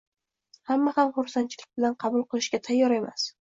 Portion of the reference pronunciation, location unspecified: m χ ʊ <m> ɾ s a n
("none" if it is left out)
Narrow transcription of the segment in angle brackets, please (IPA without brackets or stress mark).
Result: none